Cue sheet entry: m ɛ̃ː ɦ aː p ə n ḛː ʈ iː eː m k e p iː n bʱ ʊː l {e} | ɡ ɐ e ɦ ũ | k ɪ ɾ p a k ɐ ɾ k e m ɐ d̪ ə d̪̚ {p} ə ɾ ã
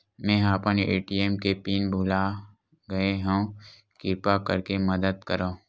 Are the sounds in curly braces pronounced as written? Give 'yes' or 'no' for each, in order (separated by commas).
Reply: no, no